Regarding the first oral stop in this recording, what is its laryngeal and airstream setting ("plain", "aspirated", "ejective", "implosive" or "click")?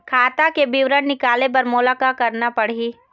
aspirated